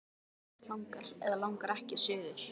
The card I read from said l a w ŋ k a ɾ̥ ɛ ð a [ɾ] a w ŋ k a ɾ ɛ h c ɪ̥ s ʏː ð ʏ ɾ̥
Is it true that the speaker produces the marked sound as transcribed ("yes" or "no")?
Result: no